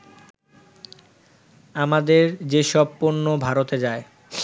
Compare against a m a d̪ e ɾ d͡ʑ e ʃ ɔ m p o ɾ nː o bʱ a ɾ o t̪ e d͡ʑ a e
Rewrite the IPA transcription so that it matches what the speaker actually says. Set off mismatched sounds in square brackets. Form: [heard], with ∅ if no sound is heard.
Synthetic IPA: a m a d̪ e ɾ d͡ʑ e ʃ ɔ [b] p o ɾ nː o bʱ a ɾ o t̪ e d͡ʑ a e